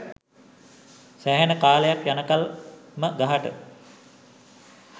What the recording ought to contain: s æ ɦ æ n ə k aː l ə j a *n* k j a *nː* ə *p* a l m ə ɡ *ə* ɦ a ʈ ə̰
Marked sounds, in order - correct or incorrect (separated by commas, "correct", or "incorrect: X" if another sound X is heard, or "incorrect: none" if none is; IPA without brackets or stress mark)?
incorrect: none, incorrect: n, incorrect: k, incorrect: a